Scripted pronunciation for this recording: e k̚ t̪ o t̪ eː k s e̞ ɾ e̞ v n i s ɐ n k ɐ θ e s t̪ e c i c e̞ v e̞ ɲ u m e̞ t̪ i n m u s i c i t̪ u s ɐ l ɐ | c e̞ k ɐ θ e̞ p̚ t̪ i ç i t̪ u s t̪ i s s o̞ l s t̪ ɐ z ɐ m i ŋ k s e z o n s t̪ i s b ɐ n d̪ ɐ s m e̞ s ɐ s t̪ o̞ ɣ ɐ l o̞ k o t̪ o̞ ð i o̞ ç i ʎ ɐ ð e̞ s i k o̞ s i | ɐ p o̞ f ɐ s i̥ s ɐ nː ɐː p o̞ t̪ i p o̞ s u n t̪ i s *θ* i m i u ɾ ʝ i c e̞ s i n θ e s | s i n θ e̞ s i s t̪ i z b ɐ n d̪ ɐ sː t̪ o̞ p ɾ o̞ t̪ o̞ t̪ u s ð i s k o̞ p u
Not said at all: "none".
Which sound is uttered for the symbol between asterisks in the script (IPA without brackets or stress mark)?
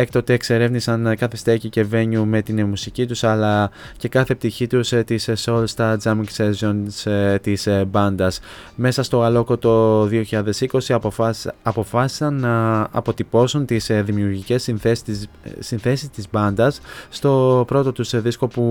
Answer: ð